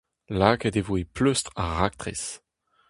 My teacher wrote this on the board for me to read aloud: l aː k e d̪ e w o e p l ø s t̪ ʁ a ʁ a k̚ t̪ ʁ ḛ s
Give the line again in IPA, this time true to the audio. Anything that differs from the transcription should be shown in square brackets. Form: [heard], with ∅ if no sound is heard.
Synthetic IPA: l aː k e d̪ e [v] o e p l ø s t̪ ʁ a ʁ a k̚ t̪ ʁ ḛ s